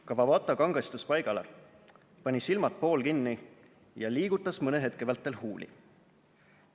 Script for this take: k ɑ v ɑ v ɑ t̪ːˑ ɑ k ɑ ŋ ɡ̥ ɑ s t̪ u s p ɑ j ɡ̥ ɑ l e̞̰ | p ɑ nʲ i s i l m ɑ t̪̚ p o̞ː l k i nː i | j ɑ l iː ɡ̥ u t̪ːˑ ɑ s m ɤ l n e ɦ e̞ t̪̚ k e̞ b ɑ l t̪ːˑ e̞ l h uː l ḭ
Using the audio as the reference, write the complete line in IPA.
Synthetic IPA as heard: k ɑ v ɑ v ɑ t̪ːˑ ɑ k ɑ ŋ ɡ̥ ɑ s t̪ u s p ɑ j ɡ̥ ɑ l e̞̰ | p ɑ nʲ i s i l m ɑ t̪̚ p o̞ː l k i nː i | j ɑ l iː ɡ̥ u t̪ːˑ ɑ s m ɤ n e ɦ e̞ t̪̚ k e̞ v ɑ l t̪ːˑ e̞ l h uː l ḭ